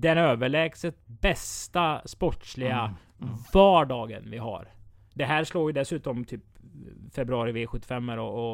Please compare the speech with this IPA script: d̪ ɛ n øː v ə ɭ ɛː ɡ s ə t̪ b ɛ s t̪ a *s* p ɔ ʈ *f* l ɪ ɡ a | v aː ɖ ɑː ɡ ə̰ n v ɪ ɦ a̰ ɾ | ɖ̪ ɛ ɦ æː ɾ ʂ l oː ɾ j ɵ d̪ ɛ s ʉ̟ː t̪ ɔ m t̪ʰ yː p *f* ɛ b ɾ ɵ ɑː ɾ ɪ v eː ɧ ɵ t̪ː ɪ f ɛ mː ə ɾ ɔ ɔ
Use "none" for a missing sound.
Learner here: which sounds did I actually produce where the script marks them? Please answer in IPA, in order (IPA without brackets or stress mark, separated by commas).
s, ʂ, f